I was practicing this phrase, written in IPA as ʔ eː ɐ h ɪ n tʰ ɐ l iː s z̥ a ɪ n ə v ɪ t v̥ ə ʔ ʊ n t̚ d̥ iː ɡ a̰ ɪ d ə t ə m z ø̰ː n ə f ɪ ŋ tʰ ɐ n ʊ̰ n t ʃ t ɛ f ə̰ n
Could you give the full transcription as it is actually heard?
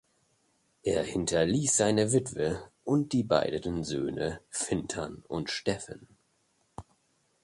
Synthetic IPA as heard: ʔ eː ɐ h ɪ n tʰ ɐ l iː s z̥ a ɪ n ə v ɪ t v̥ ə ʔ ʊ n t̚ d̥ iː b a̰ ɪ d ə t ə n z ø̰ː n ə f ɪ n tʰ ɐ n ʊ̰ n t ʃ t ɛ f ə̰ n